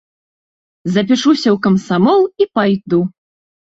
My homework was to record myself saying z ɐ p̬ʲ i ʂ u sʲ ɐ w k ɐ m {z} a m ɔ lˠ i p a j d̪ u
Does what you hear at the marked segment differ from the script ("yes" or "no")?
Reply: yes